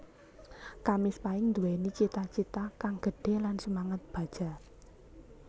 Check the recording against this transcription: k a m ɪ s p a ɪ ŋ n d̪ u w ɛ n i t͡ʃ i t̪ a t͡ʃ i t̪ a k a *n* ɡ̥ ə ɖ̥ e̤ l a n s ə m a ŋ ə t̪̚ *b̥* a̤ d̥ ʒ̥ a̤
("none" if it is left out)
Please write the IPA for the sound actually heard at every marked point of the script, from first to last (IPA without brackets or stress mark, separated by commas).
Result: ŋ, b̥